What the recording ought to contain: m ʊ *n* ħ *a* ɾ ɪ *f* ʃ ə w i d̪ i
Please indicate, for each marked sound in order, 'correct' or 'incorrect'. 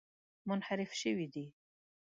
correct, correct, correct

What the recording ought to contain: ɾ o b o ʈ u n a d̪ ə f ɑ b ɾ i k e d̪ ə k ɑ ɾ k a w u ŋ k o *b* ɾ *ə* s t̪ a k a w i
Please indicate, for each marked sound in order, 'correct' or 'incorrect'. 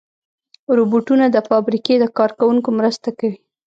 incorrect, correct

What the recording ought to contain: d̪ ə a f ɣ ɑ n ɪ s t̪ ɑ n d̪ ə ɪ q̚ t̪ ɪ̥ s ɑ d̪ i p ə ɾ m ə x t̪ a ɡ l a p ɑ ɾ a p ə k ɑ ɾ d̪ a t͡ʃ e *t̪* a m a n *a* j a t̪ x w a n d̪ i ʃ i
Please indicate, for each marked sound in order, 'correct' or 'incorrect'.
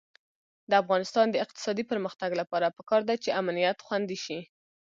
incorrect, incorrect

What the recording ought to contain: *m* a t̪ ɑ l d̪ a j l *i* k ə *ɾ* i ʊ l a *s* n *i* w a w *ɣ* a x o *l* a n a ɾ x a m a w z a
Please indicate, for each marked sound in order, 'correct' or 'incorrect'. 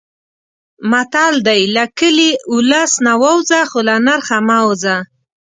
correct, incorrect, incorrect, correct, incorrect, incorrect, correct

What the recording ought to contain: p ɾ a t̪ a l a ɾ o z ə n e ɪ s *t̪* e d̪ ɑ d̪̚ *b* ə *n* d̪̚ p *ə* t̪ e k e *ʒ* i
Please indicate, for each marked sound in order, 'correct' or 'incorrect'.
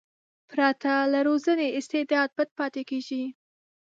correct, correct, incorrect, incorrect, correct

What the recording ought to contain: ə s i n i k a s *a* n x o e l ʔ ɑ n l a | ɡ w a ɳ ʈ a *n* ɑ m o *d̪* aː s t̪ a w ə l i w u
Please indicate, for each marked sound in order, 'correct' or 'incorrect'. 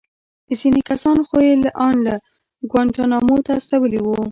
incorrect, correct, incorrect

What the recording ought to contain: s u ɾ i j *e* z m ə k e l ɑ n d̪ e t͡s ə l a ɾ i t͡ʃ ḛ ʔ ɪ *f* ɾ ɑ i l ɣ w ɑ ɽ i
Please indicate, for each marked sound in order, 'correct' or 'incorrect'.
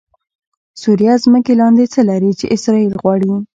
incorrect, incorrect

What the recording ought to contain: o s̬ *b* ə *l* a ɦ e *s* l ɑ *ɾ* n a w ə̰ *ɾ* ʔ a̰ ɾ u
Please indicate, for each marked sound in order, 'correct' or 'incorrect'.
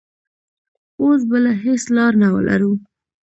correct, correct, correct, correct, incorrect

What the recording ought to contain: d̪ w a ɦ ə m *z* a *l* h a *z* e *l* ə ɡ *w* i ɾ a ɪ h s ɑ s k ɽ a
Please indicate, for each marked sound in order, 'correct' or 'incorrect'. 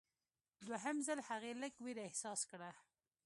correct, correct, incorrect, correct, correct

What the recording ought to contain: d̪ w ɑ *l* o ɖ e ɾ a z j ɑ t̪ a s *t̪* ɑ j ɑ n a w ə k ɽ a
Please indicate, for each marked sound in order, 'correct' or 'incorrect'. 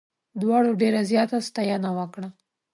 incorrect, correct

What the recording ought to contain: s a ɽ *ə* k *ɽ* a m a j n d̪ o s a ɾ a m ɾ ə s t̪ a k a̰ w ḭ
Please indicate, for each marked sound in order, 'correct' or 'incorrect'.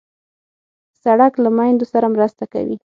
incorrect, incorrect

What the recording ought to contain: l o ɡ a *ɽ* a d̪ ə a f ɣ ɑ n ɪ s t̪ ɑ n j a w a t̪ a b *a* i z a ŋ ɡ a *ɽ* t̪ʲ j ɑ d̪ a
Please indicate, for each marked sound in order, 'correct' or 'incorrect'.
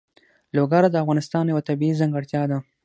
incorrect, incorrect, correct

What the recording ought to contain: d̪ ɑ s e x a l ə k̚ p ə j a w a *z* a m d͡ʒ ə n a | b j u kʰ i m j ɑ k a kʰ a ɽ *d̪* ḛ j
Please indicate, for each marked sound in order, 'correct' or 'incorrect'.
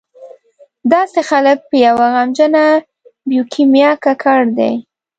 incorrect, correct

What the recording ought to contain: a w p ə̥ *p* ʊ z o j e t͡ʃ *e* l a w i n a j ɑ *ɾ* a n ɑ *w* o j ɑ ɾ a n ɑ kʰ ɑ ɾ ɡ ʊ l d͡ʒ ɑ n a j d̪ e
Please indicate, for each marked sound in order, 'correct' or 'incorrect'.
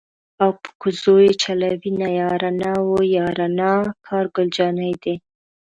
incorrect, incorrect, correct, correct

